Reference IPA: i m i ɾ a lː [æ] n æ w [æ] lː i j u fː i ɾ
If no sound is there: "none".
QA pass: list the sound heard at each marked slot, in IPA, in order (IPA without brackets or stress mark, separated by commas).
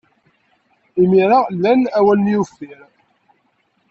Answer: æ, æ